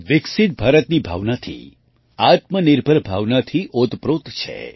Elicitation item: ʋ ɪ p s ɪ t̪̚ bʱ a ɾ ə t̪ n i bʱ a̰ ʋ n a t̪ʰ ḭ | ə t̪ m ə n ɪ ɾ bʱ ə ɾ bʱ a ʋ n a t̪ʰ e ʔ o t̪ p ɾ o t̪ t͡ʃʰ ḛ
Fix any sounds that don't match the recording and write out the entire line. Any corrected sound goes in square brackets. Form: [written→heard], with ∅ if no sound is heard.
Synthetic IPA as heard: ʋ ɪ [p→k] s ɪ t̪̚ bʱ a ɾ ə t̪ n i bʱ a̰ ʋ n a t̪ʰ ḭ | [ə→a] t̪ m ə n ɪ ɾ bʱ ə ɾ bʱ a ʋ n a t̪ʰ [e→i] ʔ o t̪ p ɾ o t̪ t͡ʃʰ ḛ

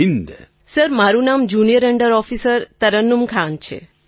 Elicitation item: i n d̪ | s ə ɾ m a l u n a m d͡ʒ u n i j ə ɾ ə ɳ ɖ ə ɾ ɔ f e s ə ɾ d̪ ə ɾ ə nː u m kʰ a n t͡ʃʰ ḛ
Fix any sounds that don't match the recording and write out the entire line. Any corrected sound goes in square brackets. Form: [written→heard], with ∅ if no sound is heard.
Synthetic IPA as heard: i n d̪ | s ə ɾ m a [l→ɾ] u n a m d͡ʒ u n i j ə ɾ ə ɳ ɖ ə ɾ ɔ f [e→i] s ə ɾ [d̪→t̪] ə ɾ ə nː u m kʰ a n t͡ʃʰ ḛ

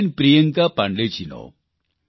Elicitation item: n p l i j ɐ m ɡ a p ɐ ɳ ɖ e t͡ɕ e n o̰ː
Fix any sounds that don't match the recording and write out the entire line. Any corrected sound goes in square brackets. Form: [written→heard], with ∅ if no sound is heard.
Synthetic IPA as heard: n p [l→ɾ] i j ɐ [m→ŋ] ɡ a p ɐ ɳ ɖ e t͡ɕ [e→i] n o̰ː

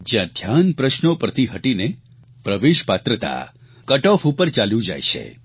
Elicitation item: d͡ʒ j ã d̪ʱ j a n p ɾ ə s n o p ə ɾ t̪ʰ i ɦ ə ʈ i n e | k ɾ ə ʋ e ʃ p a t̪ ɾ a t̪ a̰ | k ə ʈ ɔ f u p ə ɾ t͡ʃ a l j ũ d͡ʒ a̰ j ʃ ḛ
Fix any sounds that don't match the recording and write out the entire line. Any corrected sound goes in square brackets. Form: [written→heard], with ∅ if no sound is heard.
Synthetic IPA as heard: d͡ʒ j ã d̪ʱ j a n p ɾ ə [s→ʃ] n o p ə ɾ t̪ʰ i ɦ ə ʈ i n e | [k→p] ɾ ə ʋ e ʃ p a t̪ ɾ [a→ə] t̪ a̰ | k ə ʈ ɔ f u p ə ɾ t͡ʃ a l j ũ d͡ʒ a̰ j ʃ ḛ

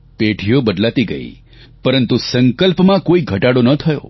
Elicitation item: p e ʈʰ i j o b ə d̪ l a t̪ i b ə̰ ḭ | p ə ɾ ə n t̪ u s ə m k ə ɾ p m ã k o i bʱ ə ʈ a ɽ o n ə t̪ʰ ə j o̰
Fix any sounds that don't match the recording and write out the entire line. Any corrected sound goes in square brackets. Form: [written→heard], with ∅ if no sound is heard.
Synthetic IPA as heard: p e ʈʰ i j o b ə d̪ l a t̪ i [b→ɡ] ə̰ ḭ | p ə ɾ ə n t̪ u s ə [m→ŋ] k ə [ɾ→l] p m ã k o i [bʱ→ɡʱ] ə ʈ a ɽ o n ə t̪ʰ ə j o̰

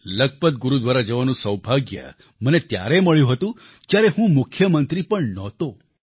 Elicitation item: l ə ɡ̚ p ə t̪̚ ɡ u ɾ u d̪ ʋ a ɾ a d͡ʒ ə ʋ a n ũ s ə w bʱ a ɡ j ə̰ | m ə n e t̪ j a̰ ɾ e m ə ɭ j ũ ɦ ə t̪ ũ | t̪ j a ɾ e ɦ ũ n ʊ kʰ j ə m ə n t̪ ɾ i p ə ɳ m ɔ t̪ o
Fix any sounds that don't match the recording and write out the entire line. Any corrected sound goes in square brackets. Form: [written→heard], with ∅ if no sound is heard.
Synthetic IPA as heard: l ə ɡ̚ p ə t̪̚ ɡ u ɾ u d̪ ʋ a ɾ a d͡ʒ ə ʋ a n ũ s ə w bʱ a ɡ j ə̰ | m ə n e t̪ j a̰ ɾ e m ə ɭ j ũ ɦ ə t̪ ũ | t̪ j a ɾ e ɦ ũ [n→m] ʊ kʰ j ə m ə n t̪ ɾ i p ə ɳ [m→n] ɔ t̪ o

